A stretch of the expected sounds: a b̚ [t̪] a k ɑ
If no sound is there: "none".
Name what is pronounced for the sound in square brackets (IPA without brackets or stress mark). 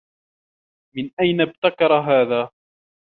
t̪